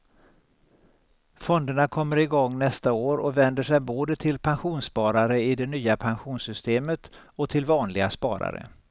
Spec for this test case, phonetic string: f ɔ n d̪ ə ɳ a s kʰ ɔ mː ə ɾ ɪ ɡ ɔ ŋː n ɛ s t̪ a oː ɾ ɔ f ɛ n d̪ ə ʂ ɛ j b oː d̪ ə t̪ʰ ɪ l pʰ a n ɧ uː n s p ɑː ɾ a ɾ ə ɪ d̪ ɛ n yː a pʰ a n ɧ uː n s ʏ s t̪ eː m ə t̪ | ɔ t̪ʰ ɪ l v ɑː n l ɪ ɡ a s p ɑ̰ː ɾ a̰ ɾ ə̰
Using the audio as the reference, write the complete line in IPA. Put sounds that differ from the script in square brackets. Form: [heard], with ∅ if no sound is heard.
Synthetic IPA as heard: f ɔ n d̪ ə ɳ a [∅] kʰ ɔ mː ə ɾ ɪ ɡ ɔ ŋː n ɛ s t̪ a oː ɾ ɔ [v] ɛ n d̪ ə ʂ ɛ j b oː d̪ ə t̪ʰ ɪ l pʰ a n ɧ uː n s p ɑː ɾ a ɾ ə ɪ d̪ ɛ n yː a pʰ a n ɧ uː n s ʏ s t̪ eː m ə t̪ | ɔ t̪ʰ ɪ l v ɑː n l ɪ ɡ a s p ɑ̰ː ɾ a̰ ɾ ə̰